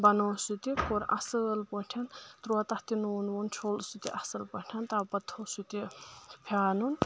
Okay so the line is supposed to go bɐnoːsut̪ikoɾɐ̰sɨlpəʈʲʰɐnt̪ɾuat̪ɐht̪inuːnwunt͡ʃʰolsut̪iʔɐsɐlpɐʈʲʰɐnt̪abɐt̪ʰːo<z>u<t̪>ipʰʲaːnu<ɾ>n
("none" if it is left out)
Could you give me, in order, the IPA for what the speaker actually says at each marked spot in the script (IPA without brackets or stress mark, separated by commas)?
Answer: s, t̪, none